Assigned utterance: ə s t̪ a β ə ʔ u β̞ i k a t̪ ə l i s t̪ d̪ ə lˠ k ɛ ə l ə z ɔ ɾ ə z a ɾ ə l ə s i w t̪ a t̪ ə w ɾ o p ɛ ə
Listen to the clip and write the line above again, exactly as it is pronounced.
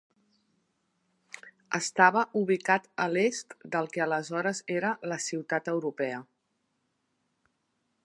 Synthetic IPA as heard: ə s t̪ a β ə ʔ u β̞ i k a t̪ ə l e s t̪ d̪ ə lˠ k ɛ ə l ə z ɔ ɾ ə z e ɾ ə l ə s i w t̪ a t̪ ə w ɾ u p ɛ ə